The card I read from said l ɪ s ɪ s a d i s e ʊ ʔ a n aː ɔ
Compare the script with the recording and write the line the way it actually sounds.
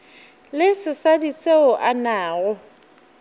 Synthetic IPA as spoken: l ɪ s ɪ s a d i s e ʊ ʔ a n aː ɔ